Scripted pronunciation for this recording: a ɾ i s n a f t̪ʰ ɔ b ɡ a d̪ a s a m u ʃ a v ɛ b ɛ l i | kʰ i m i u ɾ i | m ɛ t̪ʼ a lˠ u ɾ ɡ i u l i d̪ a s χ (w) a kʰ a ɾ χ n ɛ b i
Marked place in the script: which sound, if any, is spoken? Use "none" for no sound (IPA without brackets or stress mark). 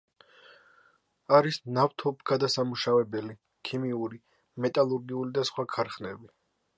w